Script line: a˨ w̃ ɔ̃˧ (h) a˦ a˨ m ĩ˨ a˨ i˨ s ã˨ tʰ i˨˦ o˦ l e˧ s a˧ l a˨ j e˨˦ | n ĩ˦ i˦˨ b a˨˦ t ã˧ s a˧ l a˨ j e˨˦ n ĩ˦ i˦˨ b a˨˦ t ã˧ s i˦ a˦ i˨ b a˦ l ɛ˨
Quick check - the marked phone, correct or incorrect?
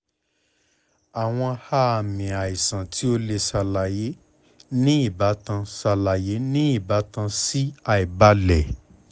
correct